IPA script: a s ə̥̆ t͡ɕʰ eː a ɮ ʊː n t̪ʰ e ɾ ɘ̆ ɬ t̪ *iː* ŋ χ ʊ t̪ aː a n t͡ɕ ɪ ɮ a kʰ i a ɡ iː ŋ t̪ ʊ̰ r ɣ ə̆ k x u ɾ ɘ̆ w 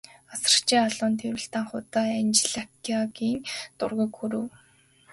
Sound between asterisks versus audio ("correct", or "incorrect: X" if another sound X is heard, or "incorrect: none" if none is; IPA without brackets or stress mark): incorrect: aː